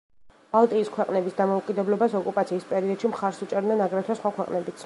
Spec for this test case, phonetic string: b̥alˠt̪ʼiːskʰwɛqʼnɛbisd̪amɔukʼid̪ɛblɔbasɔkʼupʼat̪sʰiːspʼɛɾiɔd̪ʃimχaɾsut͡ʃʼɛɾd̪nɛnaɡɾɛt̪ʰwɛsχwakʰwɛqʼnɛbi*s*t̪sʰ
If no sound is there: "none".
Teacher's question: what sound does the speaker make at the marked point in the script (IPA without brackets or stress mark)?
none